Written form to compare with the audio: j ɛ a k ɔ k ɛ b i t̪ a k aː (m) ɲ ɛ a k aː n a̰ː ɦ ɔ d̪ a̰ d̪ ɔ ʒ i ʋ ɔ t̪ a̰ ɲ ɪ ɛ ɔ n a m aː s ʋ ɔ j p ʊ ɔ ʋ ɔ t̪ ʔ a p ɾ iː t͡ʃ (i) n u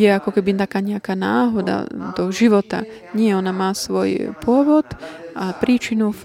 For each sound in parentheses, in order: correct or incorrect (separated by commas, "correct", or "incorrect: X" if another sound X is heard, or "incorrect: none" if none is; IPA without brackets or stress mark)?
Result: incorrect: none, correct